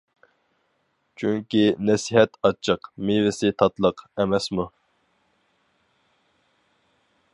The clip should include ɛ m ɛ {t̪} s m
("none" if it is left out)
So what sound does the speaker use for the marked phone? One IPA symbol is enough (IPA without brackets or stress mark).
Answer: none